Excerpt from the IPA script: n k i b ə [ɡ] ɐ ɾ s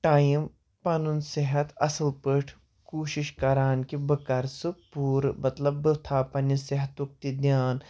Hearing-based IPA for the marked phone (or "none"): k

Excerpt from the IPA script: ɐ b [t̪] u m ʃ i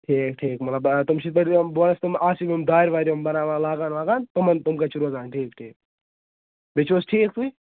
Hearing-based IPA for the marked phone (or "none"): t̪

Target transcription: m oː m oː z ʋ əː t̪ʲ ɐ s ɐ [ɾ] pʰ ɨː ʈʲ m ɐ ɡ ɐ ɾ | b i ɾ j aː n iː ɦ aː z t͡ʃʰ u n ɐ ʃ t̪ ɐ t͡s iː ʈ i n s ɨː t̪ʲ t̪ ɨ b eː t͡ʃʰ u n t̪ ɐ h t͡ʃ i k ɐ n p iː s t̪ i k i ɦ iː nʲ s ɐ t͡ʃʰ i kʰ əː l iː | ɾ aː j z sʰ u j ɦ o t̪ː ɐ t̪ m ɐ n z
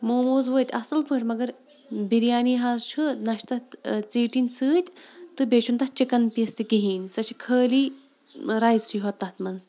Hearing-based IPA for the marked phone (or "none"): l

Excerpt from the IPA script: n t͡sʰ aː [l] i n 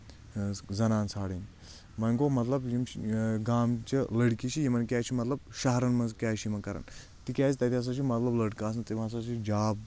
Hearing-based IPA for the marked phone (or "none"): ɽ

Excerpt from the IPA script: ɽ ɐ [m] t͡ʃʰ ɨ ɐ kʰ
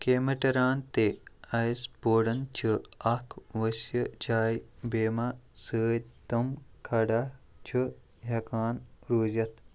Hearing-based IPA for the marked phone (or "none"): n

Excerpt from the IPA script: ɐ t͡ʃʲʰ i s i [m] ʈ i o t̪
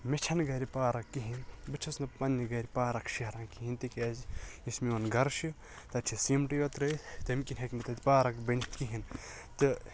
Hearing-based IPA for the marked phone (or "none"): m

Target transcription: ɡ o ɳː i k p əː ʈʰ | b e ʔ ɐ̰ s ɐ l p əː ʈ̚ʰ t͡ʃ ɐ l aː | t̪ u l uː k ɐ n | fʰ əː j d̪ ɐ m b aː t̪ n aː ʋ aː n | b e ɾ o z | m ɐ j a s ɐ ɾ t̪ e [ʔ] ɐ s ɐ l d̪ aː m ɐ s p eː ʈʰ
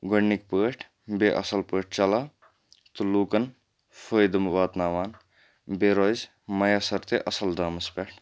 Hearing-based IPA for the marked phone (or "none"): ʔ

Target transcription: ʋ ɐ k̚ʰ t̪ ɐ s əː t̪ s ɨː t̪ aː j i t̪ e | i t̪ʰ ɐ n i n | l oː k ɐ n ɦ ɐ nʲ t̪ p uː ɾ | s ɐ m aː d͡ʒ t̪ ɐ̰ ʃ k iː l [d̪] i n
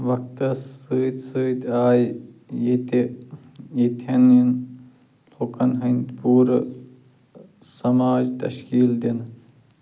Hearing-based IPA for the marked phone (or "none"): d̪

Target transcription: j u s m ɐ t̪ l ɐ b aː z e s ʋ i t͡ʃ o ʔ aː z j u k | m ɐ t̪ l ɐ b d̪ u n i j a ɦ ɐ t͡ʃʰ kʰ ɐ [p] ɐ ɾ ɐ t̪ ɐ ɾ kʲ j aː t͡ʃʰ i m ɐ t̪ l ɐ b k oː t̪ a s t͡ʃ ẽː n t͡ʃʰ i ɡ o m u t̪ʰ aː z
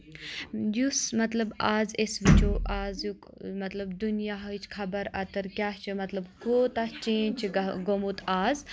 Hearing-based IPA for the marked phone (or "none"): b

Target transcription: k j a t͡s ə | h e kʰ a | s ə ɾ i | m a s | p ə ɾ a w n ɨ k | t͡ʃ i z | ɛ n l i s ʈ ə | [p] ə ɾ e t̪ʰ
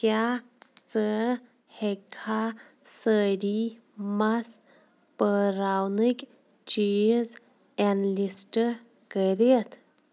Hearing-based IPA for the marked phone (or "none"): k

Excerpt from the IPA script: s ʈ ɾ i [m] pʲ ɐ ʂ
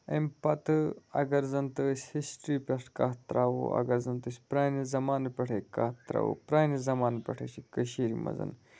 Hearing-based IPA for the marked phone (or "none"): none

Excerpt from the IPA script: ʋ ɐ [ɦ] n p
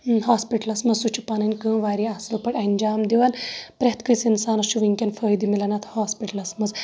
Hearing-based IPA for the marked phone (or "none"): none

